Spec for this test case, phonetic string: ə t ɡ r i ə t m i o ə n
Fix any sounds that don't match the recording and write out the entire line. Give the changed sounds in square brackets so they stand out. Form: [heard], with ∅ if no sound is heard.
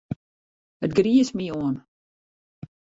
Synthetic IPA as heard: ə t ɡ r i ə [s] m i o ə n